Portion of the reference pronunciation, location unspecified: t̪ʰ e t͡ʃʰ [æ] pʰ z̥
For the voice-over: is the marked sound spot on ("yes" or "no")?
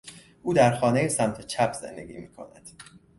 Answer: yes